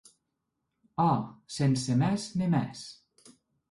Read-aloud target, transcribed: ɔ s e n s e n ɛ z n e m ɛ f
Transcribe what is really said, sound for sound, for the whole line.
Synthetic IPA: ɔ s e n s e m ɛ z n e m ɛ s